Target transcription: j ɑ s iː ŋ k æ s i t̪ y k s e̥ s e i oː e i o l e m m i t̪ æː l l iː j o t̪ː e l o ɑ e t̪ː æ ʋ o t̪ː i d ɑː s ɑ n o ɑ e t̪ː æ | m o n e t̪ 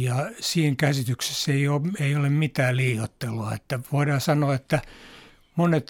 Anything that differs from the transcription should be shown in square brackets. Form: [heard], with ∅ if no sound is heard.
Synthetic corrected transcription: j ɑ s iː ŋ k æ s i t̪ y k s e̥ s e i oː e i o l e m m i t̪ æː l l iː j o t̪ː e l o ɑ e t̪ː æ ʋ o [∅] i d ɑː s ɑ n o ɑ e t̪ː æ | m o n e t̪